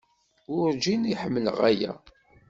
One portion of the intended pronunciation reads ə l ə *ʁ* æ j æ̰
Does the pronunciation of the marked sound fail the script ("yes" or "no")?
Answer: no